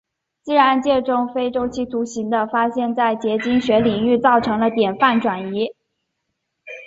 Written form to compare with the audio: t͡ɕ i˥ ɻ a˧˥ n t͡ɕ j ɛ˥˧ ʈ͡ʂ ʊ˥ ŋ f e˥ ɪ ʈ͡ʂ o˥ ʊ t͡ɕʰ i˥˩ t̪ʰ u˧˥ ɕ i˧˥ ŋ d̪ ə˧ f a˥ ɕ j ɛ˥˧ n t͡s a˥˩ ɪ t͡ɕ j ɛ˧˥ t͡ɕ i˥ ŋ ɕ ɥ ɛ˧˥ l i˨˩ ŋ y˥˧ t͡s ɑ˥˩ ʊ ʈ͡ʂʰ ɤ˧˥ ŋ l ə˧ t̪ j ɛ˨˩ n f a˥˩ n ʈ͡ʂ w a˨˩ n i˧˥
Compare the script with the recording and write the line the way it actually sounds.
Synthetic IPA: t͡ɕ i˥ ɻ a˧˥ n t͡ɕ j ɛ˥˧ ʈ͡ʂ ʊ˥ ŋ f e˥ ɪ ʈ͡ʂ o˥ ʊ t͡ɕʰ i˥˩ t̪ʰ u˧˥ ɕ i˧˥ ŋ d̪ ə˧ f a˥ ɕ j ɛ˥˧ n t͡s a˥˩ ɪ t͡ɕ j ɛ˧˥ t͡ɕ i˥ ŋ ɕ ɥ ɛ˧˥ l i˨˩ ŋ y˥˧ t͡s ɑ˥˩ ʊ ʈ͡ʂʰ ɤ˧˥ ŋ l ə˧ t̪ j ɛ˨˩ n f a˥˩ n ʈ͡ʂ w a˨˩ n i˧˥